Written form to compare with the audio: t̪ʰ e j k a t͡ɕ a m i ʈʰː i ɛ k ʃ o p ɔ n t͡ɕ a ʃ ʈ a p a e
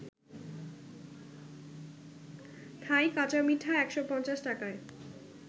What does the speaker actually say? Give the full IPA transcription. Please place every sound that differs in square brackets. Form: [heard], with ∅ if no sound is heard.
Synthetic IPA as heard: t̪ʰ [a] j k a t͡ɕ a m i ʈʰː [a] ɛ k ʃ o p ɔ n t͡ɕ a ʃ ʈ a [k] a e

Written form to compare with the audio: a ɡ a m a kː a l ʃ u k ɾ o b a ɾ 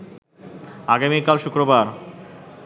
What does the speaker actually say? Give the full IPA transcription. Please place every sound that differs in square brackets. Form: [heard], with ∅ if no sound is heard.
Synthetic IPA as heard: a ɡ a m [i] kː a l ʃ u k ɾ o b a ɾ

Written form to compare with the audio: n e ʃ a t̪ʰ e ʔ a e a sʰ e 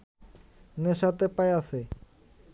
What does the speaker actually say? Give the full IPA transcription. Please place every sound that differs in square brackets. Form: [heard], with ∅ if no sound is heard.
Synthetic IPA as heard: n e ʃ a [t̪] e [p] a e a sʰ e

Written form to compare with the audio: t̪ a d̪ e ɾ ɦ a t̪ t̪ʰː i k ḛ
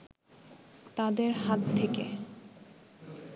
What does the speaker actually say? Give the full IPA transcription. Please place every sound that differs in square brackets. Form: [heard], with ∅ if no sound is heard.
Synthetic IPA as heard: t̪ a d̪ e ɾ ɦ a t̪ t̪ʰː [e] k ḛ

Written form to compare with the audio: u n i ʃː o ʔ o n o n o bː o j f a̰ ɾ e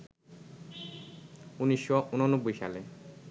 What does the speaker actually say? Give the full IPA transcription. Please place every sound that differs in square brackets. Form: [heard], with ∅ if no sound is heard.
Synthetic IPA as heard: u n i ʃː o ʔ [u] n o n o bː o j [ʃ] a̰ [l] e

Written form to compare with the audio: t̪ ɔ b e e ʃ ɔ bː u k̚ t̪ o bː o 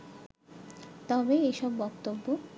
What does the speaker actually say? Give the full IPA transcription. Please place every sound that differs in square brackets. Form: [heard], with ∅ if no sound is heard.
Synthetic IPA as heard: t̪ ɔ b e e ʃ ɔ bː [ɔ] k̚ t̪ o bː o

